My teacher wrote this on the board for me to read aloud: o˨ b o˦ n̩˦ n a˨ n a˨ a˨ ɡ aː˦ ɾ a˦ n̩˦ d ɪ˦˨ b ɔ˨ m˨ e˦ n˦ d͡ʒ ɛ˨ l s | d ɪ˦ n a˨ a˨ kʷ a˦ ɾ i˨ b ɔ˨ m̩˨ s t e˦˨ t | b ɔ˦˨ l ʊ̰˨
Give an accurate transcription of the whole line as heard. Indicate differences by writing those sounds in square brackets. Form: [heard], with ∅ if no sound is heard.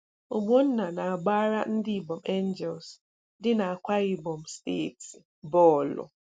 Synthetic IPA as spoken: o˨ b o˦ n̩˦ n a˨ n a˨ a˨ [ɡ͡b] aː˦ ɾ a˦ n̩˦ d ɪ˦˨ b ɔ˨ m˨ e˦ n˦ d͡ʒ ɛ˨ l s | d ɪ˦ n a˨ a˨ kʷ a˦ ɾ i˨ b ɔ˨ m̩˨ s t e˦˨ t | b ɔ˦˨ l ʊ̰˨